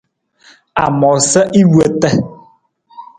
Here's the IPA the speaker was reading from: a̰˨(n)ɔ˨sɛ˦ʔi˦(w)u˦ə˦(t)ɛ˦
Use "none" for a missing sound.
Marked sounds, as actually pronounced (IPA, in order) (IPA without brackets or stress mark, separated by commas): m, w, t